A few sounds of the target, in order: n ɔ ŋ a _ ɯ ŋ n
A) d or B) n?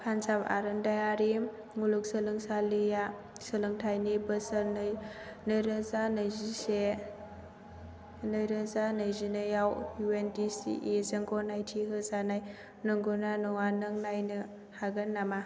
B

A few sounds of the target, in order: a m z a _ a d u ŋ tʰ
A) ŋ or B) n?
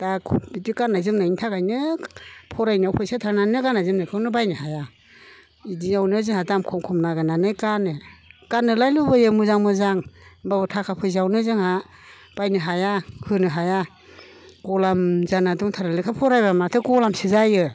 B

